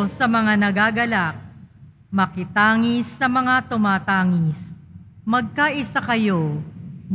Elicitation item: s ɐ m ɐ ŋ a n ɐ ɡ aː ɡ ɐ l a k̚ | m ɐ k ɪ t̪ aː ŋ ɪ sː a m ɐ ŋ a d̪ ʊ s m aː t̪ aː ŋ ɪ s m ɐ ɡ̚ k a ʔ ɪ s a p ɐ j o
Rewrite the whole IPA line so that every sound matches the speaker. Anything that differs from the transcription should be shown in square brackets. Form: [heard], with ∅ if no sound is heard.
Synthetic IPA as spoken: s ɐ m ɐ ŋ a n ɐ ɡ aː ɡ ɐ l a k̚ | m ɐ k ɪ t̪ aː ŋ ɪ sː [ɐ] m ɐ ŋ a [t̪] ʊ [∅] m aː t̪ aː ŋ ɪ s m ɐ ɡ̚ k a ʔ ɪ s a [k] ɐ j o